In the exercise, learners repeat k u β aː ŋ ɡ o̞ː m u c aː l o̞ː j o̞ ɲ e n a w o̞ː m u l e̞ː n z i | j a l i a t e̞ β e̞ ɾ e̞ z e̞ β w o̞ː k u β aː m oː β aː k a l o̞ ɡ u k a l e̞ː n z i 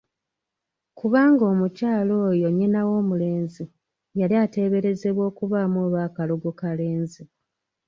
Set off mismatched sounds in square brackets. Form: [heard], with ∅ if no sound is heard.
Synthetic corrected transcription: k u β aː ŋ ɡ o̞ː m u c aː l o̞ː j o̞ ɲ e n a w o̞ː m u l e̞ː n z i | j a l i a t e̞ β e̞ ɾ e̞ z e̞ β w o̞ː k u β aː m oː β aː k a l o̞ ɡ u k a l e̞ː n z i